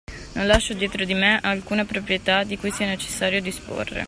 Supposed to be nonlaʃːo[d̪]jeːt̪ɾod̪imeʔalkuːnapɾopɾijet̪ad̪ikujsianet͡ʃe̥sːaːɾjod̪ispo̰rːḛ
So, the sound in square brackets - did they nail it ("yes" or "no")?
yes